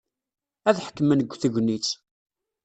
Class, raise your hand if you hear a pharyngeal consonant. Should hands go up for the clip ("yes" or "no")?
yes